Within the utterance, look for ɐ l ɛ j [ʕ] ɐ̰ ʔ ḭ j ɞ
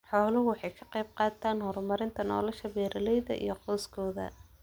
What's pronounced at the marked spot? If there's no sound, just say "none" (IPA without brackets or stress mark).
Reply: ð